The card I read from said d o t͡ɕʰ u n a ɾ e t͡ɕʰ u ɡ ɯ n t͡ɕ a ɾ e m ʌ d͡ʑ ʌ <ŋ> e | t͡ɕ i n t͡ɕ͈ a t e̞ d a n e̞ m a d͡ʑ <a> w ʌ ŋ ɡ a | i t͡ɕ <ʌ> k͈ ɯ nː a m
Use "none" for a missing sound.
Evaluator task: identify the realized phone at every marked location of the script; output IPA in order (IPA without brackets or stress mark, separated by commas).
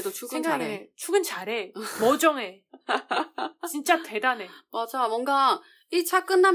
ŋ, a, a